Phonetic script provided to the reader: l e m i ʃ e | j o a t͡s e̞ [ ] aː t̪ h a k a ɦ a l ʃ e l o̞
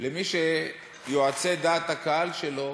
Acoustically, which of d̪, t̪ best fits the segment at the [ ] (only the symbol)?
d̪